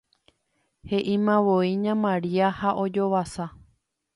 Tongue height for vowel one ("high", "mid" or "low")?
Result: mid